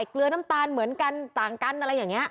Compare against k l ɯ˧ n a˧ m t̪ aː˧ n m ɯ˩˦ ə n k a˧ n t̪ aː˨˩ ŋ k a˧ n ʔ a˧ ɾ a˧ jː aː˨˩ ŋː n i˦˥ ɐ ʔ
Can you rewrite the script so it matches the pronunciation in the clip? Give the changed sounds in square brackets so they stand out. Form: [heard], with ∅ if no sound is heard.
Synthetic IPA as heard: k l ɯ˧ n [a˦˥] m t̪ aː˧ n m ɯ˩˦ ə n k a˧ n t̪ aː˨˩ ŋ k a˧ n ʔ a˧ ɾ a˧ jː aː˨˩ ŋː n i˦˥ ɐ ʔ